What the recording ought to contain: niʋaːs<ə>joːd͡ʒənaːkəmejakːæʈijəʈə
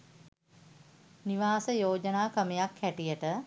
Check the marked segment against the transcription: correct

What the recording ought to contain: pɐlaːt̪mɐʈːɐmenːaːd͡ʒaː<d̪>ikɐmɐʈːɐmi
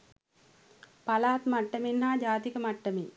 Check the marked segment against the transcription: incorrect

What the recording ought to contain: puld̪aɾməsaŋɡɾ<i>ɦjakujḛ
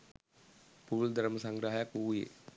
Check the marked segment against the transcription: incorrect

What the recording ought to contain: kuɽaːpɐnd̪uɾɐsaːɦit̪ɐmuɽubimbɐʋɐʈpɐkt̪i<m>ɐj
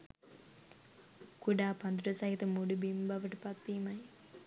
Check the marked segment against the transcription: correct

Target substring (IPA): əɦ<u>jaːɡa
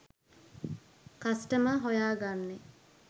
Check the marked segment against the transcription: incorrect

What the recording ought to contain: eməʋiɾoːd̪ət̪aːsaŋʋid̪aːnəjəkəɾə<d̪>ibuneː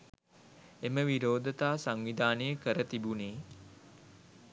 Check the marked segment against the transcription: incorrect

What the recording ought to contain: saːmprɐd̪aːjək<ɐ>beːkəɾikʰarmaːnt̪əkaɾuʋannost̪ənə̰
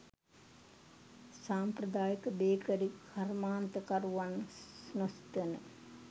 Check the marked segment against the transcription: incorrect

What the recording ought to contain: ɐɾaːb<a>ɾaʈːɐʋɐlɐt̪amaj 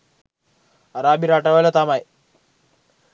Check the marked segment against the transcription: incorrect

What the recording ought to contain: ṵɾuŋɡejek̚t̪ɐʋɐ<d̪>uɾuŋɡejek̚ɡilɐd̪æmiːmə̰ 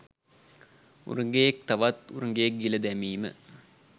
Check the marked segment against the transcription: incorrect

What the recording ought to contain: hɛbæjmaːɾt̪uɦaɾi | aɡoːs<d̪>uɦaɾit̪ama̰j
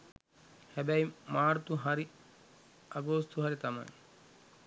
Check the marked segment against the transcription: incorrect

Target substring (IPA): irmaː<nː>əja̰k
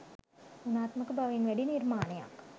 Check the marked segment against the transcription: incorrect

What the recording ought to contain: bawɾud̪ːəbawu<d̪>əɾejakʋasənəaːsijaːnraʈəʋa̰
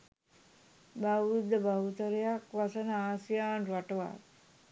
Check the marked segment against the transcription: incorrect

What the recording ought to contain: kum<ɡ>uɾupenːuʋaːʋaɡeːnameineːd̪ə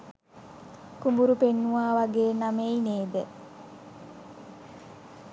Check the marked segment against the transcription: incorrect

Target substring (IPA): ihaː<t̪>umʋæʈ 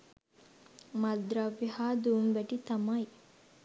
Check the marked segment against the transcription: incorrect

